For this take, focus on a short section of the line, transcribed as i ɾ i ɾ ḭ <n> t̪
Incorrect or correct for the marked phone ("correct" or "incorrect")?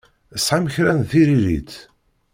incorrect